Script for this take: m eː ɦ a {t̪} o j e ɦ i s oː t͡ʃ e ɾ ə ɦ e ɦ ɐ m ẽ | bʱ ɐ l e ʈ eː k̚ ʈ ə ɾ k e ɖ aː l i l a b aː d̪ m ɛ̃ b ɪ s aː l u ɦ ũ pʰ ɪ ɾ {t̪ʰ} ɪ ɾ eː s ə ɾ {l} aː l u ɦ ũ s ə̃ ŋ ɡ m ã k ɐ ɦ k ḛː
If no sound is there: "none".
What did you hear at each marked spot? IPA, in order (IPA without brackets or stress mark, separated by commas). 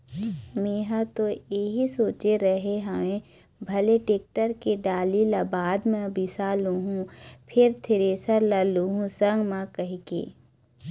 t̪, t̪ʰ, l